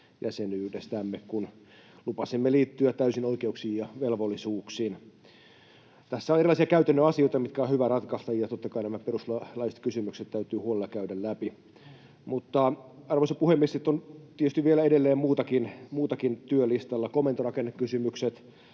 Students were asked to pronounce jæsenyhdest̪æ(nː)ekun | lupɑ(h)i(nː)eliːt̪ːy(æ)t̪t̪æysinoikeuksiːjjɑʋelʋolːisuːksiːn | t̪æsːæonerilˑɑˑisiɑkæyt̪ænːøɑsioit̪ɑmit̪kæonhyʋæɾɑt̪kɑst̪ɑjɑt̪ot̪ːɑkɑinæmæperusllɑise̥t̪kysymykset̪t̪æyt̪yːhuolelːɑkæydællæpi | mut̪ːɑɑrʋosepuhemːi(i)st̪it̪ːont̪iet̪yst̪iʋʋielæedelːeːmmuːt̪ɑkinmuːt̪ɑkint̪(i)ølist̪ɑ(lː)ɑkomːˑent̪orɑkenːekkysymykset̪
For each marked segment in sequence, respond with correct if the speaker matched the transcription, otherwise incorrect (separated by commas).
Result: incorrect, incorrect, incorrect, correct, incorrect, incorrect, correct